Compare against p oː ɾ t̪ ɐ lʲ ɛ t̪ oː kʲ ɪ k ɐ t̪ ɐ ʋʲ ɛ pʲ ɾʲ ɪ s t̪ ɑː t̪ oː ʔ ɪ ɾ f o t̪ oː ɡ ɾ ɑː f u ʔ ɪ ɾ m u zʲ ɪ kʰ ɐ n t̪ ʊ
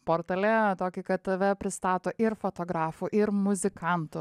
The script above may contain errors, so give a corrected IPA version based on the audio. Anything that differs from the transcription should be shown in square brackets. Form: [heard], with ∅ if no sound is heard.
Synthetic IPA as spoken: p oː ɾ t̪ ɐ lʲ ɛ t̪ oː kʲ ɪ k ɐ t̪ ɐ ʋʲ ɛ pʲ ɾʲ ɪ s t̪ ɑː t̪ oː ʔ ɪ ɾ f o t̪ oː ɡ ɾ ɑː f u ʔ ɪ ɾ m [ʊ] zʲ ɪ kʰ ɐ n t̪ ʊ